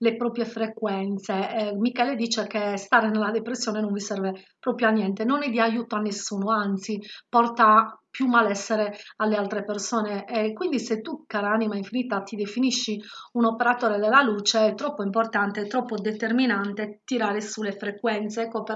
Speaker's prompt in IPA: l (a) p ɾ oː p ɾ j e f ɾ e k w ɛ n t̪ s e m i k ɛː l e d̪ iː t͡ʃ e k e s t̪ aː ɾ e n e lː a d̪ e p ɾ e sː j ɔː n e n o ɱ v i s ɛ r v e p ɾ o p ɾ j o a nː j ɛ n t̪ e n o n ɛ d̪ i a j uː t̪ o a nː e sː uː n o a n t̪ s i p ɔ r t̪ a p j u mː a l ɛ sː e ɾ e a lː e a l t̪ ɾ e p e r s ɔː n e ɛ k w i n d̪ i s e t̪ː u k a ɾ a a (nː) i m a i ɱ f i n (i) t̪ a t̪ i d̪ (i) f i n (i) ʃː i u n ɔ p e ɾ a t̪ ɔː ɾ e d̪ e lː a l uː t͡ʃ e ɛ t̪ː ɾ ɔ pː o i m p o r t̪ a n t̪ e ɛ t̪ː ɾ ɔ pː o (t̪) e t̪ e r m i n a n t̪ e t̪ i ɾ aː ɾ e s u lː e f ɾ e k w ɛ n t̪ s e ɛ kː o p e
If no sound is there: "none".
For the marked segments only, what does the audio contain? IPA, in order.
e, n, i, e, i, d̪

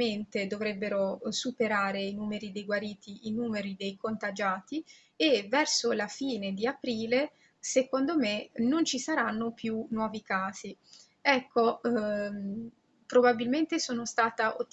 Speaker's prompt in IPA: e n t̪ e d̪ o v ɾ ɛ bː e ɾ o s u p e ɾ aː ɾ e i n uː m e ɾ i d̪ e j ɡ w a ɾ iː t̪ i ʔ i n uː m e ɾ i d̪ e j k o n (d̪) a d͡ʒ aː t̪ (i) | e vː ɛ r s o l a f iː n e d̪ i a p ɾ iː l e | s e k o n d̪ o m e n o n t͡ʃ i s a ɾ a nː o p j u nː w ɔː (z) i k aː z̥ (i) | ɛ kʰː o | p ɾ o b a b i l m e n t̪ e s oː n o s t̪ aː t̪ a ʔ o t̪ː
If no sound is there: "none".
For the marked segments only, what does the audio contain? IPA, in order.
t̪, i, v, i

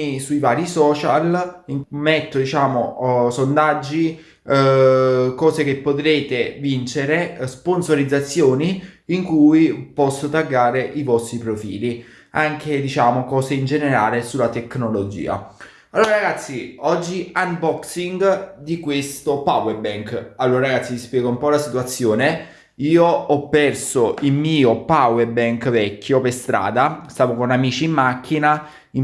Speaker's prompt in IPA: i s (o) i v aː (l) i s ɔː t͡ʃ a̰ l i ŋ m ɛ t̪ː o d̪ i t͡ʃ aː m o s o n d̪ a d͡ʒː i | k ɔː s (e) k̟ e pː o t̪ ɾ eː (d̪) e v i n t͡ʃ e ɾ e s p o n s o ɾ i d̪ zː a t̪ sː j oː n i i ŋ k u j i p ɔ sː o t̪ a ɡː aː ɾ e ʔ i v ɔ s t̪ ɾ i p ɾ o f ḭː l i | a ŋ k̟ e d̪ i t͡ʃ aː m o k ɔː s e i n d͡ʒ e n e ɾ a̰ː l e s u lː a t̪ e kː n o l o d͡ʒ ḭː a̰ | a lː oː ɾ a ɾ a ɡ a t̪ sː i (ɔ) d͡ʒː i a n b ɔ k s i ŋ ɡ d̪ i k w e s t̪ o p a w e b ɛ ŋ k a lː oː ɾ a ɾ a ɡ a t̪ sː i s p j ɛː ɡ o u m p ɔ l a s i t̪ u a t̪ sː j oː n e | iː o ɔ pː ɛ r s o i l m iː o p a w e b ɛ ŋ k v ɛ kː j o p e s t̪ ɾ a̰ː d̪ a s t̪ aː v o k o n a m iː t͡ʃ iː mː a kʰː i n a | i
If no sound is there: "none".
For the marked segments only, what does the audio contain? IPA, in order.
u, ɾ, e, t̪, ɔ

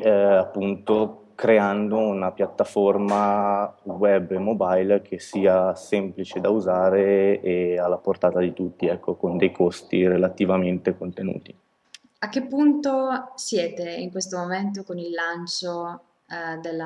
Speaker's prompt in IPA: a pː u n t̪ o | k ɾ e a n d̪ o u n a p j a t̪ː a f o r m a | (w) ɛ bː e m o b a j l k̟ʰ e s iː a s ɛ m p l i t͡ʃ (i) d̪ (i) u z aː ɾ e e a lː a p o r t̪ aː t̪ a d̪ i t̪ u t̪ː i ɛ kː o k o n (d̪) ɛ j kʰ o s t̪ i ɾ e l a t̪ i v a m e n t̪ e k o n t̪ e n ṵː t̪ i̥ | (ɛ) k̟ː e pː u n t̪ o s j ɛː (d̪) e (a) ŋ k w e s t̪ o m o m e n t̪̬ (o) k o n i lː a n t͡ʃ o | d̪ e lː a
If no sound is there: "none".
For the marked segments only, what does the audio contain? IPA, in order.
w, e, a, d̪, a, t̪, i, o

